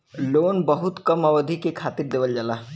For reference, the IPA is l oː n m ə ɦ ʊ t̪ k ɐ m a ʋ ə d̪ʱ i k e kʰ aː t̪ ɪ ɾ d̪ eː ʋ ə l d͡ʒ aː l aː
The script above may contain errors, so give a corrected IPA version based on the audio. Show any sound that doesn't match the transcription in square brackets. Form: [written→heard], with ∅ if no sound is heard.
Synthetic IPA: l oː n [m→b] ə ɦ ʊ t̪ k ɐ m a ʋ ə d̪ʱ i k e kʰ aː t̪ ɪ ɾ d̪ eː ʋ ə l d͡ʒ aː l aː